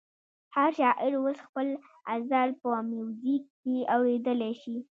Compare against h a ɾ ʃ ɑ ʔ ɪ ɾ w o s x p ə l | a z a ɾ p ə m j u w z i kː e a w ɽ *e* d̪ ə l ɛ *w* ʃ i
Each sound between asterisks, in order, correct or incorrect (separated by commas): correct, incorrect